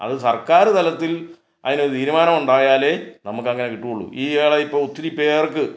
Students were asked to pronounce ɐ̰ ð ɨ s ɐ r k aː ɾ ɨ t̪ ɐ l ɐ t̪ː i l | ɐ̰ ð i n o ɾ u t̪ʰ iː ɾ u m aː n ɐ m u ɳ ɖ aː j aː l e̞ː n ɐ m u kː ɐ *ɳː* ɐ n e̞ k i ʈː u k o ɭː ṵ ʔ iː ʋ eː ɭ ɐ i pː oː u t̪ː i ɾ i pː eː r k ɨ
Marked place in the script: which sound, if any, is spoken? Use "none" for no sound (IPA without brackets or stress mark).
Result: ŋː